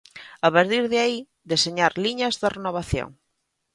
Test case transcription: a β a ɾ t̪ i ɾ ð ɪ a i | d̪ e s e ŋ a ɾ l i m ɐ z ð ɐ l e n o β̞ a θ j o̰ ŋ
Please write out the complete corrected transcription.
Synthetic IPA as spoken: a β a ɾ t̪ i ɾ ð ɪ a i | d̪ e s e ɲ a ɾ l i ɲ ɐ z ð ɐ r e n o β̞ a θ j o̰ ŋ